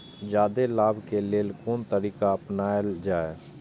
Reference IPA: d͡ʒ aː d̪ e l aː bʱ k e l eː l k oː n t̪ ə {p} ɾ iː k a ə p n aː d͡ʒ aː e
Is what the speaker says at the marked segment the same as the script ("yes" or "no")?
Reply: no